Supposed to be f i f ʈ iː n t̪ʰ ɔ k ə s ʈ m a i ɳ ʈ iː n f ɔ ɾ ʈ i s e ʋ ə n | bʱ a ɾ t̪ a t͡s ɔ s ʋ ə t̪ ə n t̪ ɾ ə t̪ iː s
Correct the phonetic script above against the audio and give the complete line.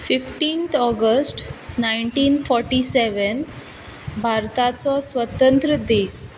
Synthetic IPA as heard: f i f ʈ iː n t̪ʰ ɔ ɡ ə s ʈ n a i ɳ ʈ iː n f ɔ ɾ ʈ i s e ʋ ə n | bʱ a ɾ t̪ a t͡s ɔ s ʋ ə t̪ ə n t̪ ɾ ə d̪ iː s

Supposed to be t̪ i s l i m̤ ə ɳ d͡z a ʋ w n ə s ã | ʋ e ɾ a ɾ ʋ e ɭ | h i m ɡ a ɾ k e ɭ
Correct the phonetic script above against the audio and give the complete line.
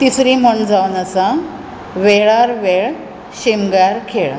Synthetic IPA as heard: t̪ i s ɾ i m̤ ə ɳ d͡z a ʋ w n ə s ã | ʋ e ɭ a ɾ ʋ e ɭ | ɕ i m ɡ a ɾ kʰ e ɭ

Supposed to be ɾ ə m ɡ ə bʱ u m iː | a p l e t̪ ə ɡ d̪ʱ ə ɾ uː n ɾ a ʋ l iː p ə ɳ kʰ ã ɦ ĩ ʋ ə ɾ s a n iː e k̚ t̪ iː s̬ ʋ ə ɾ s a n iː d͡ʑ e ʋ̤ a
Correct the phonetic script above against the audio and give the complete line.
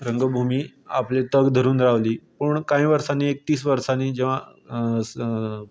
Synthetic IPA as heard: ɾ ə ŋ ɡ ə bʱ u m iː | a p l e t̪ ə ɡ d̪ʱ ə ɾ uː n ɾ a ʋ l iː p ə ɳ k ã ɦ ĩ ʋ ə ɾ s a n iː e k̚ t̪ iː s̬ ʋ ə ɾ s a n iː d͡ʑ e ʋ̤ a

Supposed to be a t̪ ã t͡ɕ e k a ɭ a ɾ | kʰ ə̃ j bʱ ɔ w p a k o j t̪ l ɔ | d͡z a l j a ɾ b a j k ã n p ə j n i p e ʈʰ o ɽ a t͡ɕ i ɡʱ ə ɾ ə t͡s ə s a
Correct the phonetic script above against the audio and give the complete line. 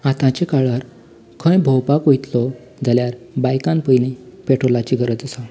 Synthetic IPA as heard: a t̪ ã t͡ɕ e k a ɭ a ɾ | kʰ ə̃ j bʱ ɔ w p a k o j t̪ l ɔ | d͡z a l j a ɾ b a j k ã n p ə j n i p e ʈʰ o l a t͡ɕ i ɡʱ ə ɾ ə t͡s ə s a

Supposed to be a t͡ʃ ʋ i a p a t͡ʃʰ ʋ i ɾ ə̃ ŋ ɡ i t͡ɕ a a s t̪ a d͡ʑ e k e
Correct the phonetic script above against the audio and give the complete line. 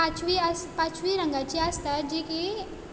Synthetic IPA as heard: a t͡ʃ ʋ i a p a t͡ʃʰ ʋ i ɾ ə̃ ŋ ɡ a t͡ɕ i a s t̪ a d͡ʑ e k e

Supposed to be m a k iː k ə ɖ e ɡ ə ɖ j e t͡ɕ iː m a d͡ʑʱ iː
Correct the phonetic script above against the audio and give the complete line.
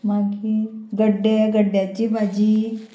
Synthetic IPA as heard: m a ɡ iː ɡ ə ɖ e ɡ ə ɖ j a t͡ɕ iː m a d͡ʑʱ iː

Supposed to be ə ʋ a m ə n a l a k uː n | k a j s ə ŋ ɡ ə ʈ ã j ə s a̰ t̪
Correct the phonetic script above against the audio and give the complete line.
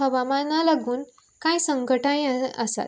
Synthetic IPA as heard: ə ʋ a m a n a l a ɡ uː n | k a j s ə ŋ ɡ ə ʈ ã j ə s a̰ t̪

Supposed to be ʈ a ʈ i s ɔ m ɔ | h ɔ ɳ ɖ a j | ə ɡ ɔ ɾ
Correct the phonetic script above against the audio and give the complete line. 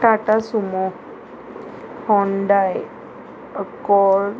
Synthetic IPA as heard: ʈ a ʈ a s u m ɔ | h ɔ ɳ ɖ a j | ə k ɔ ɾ

